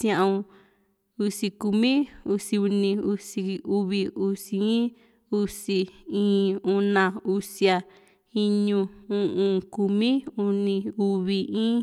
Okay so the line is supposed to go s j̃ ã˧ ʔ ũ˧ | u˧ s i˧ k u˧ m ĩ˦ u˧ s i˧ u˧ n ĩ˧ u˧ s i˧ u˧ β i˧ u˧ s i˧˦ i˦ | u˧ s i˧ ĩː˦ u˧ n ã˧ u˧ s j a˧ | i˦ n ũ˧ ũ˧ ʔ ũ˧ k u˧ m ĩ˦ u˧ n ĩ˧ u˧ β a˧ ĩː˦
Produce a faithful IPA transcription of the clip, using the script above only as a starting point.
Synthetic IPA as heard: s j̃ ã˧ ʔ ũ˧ | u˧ s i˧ k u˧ m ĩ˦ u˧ s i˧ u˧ n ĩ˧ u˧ s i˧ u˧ β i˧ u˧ s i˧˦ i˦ | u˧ s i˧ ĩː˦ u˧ n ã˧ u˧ s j a˧ | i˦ ɲ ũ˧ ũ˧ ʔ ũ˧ k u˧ m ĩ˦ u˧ n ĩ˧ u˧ β i˧ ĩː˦